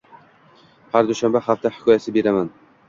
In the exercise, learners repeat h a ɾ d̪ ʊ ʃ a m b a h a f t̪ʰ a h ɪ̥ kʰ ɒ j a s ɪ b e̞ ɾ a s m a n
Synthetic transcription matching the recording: h a ɾ d̪ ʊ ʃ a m b a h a f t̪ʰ a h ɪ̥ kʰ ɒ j a s ɪ b e̞ ɾ a m a n